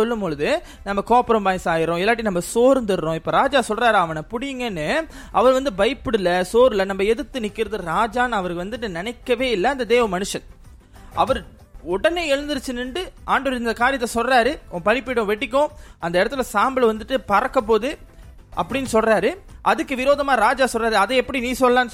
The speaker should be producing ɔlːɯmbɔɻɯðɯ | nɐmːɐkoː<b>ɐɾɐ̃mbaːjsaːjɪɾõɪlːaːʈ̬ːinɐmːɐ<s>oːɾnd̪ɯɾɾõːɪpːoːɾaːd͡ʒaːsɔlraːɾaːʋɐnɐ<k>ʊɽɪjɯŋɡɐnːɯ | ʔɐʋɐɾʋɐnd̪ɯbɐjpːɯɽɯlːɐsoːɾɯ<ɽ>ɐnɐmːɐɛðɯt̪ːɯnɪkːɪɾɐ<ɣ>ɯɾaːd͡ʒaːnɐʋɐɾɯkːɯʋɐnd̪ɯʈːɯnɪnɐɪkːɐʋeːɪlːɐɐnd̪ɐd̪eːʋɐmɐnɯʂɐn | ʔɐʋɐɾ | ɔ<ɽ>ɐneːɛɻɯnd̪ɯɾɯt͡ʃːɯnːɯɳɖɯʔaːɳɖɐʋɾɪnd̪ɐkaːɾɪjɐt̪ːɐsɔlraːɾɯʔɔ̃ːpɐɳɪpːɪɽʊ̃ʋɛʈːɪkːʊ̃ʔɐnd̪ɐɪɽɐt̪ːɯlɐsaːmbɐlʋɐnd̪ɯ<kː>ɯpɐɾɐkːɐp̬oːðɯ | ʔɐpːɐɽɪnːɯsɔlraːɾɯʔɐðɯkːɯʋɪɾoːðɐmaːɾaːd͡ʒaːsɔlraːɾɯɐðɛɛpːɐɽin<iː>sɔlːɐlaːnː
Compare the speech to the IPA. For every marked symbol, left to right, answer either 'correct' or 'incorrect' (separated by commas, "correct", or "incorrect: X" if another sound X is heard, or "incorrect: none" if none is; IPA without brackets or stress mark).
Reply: incorrect: p, correct, incorrect: p, incorrect: l, incorrect: ð, correct, incorrect: ʈː, correct